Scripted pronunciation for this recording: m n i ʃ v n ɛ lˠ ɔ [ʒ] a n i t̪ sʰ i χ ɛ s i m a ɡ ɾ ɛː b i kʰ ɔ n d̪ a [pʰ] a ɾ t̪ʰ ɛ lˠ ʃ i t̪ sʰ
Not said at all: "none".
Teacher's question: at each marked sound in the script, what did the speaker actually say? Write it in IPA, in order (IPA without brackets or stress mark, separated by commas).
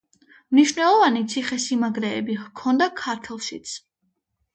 v, kʰ